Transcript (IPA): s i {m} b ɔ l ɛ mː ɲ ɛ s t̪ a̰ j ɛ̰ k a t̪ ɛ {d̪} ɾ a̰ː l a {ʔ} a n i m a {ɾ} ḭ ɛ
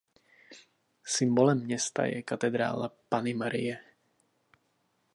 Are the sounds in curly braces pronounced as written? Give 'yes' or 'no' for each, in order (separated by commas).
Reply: yes, yes, no, yes